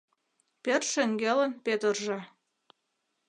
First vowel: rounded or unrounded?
unrounded